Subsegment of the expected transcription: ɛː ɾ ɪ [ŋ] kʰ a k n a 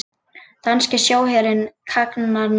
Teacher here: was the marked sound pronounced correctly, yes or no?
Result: no